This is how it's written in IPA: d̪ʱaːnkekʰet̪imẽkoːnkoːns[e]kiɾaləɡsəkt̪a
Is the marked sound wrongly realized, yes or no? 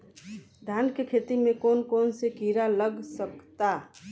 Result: no